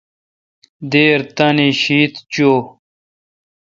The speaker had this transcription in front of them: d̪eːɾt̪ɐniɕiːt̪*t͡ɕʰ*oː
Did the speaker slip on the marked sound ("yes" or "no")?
yes